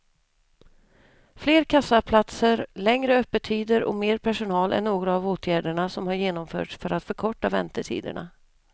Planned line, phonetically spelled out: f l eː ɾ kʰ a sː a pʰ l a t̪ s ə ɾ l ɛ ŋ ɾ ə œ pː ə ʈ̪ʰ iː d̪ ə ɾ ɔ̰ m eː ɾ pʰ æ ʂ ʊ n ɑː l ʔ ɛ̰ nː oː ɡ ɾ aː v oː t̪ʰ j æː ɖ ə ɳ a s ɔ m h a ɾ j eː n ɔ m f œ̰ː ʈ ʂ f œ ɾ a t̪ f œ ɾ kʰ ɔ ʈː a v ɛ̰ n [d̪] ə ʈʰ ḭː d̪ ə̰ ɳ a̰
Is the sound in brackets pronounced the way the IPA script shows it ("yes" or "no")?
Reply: no